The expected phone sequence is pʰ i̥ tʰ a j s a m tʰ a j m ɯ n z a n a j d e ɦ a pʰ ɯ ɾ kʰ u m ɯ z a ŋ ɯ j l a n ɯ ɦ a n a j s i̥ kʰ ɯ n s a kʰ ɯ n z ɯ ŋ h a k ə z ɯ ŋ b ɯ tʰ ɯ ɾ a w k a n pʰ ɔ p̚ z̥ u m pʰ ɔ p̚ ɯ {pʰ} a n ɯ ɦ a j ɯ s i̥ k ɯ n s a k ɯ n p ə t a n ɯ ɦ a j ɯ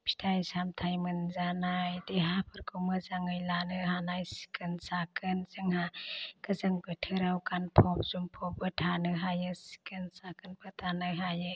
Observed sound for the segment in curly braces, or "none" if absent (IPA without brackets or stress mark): tʰ